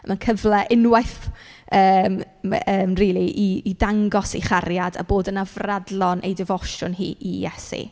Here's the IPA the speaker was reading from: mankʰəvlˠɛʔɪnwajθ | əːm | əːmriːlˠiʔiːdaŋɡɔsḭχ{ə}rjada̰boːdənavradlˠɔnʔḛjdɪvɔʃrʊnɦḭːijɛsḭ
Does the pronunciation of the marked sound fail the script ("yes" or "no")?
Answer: yes